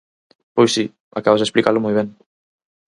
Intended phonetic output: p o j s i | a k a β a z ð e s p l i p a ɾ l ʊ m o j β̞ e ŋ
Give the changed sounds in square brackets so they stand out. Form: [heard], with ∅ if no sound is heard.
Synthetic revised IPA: p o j s i | a k a β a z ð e s p l i [k] a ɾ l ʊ m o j β̞ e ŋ